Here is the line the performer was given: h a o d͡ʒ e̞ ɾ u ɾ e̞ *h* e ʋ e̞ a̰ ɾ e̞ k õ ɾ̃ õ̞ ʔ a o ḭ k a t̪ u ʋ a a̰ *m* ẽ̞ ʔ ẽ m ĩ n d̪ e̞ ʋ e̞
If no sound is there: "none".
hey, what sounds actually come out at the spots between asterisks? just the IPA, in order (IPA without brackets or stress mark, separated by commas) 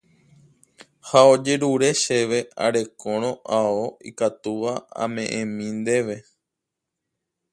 ʃ, m